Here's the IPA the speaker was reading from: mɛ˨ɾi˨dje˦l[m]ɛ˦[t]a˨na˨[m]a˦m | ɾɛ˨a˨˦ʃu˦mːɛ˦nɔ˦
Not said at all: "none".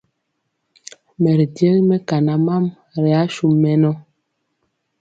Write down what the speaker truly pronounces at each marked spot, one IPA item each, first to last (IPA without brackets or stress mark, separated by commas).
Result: m, k, m